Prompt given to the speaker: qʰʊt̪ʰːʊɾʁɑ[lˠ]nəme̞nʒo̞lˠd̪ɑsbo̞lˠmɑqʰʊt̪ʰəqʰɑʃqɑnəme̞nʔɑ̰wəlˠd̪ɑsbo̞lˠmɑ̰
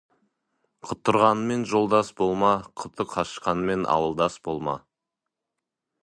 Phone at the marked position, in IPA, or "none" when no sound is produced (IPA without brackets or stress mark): none